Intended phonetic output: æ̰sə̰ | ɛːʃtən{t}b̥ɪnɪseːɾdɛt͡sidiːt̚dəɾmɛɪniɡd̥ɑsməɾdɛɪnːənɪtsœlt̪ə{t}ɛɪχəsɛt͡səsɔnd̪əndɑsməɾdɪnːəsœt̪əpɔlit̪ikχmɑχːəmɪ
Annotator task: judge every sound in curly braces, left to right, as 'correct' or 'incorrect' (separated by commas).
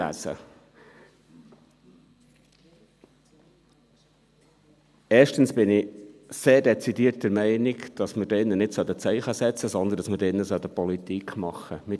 incorrect, incorrect